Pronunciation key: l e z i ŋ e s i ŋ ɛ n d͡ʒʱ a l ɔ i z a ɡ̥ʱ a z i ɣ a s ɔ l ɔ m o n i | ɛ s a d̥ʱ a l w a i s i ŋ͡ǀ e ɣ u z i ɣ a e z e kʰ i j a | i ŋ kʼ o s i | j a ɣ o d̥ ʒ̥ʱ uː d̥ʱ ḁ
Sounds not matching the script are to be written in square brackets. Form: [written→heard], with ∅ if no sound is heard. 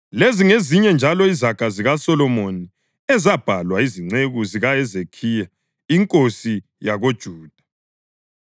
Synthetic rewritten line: l e z i ŋ e [s→z] i [ŋ→ɲ] ɛ n d͡ʒʱ a l ɔ i z a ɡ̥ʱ a z i ɣ a s ɔ l ɔ m o n i | ɛ [s→z] a [d̥ʱ→b̥ʱ] a l w a i [s→z] i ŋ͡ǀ e ɣ u z i ɣ a [e→ɛ] z e kʰ i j a | i ŋ kʼ o s i | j a ɣ o d̥ ʒ̥ʱ uː d̥ʱ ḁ